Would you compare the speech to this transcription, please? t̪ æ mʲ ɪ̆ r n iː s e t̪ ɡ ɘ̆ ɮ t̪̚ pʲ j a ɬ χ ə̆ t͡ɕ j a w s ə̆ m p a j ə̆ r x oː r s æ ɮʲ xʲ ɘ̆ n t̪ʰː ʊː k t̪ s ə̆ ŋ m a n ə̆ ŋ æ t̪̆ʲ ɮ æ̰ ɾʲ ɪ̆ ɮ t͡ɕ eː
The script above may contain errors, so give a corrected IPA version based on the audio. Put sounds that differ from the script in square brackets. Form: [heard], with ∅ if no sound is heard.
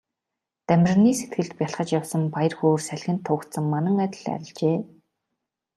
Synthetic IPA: t̪ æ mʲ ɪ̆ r n iː s e t̪ ɡ ɘ̆ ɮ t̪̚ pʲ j a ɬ χ ə̆ t͡ɕ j a w s ə̆ m p a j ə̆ r x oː r s æ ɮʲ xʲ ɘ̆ n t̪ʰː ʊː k t̪ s ə̆ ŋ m a n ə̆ ŋ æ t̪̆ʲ ɮ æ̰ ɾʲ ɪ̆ ɮ t͡ɕ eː